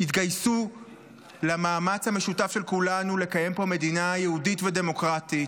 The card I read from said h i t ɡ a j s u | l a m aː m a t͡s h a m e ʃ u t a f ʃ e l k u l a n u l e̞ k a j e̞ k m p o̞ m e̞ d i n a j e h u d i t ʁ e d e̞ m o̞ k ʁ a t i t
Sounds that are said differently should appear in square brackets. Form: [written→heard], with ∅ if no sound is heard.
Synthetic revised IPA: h i t ɡ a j s u | l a m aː m a t͡s h a m e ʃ u t a f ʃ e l k u l a n u l e̞ k a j e̞ [k→∅] m p o̞ m e̞ d i n a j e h u d i t [ʁ→v] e d e̞ m o̞ k ʁ a t i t